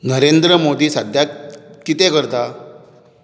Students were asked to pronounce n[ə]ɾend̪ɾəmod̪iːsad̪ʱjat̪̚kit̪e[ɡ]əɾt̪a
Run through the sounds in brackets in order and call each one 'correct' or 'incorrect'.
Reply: correct, incorrect: k

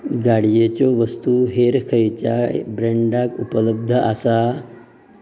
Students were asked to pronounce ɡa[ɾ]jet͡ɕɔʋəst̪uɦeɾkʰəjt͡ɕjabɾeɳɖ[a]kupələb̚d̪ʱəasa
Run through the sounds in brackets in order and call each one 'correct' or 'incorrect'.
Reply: incorrect: ɽ, correct

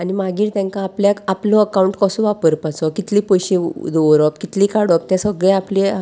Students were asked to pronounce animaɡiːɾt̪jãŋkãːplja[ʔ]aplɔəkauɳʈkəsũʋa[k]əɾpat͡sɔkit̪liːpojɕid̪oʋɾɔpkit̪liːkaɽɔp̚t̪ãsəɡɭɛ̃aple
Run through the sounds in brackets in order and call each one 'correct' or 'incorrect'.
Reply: incorrect: k, incorrect: p

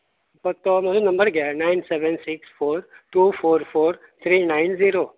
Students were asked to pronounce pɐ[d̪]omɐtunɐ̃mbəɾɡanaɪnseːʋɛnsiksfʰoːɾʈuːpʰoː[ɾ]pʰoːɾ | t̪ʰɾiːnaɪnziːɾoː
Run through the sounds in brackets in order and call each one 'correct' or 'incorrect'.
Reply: incorrect: t̪, correct

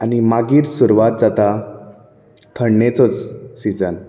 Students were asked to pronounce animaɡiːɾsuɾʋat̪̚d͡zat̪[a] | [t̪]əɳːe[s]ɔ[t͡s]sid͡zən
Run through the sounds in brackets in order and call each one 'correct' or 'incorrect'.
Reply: correct, incorrect: t̪ʰ, incorrect: t͡s, correct

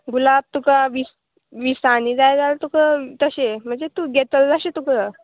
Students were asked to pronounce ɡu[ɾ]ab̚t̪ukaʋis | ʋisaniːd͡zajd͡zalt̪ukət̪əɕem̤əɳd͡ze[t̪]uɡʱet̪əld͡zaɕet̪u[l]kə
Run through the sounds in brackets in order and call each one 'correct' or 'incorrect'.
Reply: incorrect: l, correct, incorrect: none

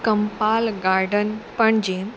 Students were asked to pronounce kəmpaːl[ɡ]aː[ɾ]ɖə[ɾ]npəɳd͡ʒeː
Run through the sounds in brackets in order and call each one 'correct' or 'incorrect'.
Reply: correct, correct, incorrect: none

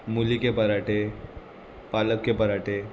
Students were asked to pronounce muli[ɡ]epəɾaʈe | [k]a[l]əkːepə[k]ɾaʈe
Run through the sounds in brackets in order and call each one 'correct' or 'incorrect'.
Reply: incorrect: k, incorrect: p, correct, incorrect: none

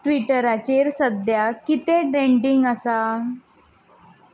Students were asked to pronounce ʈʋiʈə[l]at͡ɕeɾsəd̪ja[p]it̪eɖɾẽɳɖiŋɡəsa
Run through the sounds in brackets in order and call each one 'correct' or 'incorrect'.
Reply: incorrect: ɾ, incorrect: k

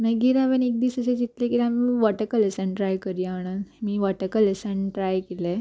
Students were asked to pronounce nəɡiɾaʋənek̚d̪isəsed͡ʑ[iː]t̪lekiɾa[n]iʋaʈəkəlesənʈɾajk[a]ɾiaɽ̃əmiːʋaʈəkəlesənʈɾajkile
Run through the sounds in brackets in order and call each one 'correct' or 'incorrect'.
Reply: incorrect: i, incorrect: m, incorrect: ə

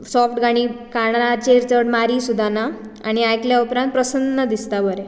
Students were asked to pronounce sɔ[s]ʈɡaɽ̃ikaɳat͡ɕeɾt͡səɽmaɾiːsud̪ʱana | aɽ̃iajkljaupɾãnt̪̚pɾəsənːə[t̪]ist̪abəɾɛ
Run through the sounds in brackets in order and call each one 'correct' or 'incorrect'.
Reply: incorrect: f, incorrect: d̪

